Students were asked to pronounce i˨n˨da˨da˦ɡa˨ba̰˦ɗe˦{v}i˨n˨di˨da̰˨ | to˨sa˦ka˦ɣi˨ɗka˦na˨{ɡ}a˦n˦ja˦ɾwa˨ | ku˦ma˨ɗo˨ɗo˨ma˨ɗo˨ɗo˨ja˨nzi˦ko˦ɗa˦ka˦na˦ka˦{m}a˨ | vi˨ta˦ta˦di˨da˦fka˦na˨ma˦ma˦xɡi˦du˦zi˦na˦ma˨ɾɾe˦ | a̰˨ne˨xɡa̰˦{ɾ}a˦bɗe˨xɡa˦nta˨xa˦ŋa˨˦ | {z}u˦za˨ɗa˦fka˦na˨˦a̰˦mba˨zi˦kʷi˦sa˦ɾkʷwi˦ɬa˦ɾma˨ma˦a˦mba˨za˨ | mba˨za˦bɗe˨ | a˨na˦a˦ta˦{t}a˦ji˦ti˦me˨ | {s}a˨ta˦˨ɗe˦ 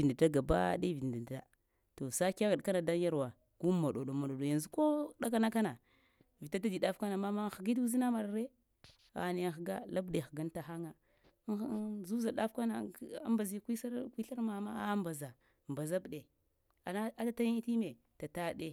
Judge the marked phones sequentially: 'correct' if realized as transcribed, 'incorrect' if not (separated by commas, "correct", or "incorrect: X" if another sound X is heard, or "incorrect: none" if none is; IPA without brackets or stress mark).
correct, incorrect: d, incorrect: n, incorrect: l, correct, correct, incorrect: t